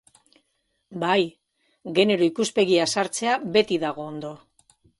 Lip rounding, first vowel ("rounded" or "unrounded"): unrounded